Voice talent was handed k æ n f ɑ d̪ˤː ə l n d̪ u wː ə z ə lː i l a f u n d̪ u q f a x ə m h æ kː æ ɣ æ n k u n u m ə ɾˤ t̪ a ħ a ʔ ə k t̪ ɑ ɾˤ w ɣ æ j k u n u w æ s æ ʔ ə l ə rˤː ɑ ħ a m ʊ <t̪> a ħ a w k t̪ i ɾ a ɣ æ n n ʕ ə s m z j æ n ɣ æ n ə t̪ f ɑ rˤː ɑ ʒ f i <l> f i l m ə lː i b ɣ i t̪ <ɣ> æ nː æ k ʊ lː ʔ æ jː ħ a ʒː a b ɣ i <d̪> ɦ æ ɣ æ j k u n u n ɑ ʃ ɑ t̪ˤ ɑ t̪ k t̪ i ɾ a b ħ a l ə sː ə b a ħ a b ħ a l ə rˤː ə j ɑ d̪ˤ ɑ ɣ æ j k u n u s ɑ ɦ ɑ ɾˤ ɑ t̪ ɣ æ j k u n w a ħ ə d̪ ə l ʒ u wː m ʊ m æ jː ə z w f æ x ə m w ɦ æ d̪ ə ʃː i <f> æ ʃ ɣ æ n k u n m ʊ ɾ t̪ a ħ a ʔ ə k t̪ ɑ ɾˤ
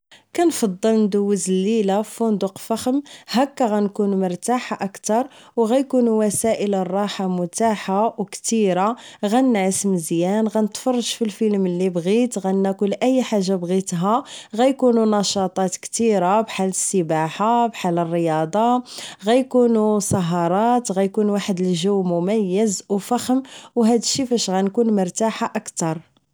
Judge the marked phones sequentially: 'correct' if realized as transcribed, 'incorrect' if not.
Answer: correct, correct, correct, incorrect: t̪, correct

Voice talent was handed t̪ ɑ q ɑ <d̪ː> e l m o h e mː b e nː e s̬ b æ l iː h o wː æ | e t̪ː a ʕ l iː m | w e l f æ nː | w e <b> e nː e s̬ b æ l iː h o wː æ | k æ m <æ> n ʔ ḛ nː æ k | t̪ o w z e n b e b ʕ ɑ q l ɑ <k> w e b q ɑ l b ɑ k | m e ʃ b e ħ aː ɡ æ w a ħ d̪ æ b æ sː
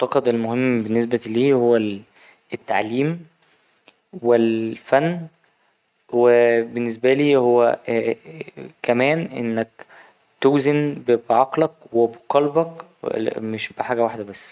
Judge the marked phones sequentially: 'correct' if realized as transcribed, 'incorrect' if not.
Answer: incorrect: d̪, correct, incorrect: æː, correct

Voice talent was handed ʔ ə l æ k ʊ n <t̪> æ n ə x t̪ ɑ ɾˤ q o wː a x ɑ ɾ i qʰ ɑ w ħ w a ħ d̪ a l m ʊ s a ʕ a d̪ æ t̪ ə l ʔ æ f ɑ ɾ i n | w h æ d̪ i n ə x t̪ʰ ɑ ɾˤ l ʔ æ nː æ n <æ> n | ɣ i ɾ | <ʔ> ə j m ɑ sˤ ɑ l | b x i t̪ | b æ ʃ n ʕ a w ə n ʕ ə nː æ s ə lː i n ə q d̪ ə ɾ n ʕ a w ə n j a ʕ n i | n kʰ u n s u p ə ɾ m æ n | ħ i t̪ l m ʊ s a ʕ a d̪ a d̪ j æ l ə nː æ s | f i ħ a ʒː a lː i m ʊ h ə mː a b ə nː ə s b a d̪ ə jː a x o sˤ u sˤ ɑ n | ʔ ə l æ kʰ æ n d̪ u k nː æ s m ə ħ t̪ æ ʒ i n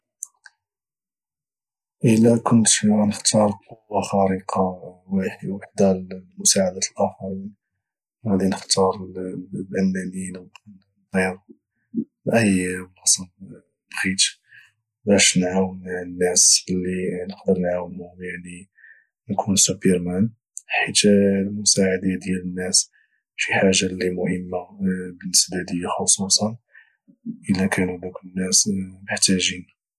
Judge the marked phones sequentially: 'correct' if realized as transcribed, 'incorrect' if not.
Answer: correct, incorrect: i, correct

